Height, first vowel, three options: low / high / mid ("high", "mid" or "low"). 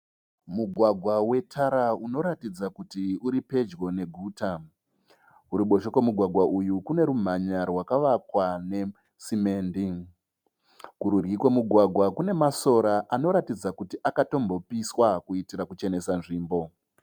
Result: high